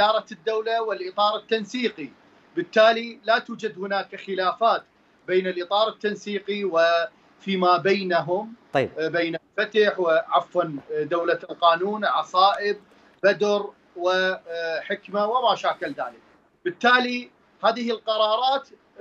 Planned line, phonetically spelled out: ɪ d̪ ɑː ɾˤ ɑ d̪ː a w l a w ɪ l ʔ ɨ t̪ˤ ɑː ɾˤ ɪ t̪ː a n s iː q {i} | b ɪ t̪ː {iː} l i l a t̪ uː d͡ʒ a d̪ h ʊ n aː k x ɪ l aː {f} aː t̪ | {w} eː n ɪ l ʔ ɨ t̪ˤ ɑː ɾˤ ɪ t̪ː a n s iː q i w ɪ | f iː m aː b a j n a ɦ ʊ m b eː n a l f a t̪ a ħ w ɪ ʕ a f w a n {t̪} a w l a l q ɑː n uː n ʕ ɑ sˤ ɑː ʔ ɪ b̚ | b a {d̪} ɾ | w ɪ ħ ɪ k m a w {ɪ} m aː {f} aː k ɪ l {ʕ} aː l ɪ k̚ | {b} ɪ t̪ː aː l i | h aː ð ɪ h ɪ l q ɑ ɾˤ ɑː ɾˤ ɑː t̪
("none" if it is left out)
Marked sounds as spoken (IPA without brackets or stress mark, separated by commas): i, aː, f, b, d̪, d̪, ɪ, ʃ, ð, b